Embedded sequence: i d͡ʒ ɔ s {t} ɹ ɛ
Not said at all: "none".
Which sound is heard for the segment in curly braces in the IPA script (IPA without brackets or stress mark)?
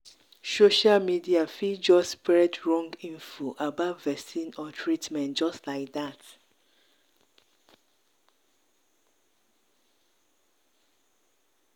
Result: p